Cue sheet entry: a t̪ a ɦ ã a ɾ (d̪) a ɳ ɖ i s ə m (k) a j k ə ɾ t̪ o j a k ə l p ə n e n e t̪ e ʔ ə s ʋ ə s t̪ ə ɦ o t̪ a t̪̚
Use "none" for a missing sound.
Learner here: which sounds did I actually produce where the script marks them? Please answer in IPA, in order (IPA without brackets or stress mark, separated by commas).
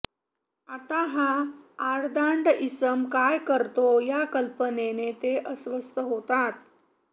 d̪, k